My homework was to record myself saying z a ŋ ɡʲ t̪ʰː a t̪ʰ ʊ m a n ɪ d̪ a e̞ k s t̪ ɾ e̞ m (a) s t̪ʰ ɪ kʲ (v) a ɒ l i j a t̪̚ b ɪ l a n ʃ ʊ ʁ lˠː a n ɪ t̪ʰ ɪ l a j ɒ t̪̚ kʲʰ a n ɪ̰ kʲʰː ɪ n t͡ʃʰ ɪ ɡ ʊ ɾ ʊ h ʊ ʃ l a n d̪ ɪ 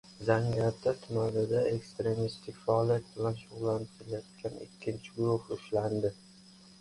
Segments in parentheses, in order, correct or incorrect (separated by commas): incorrect, incorrect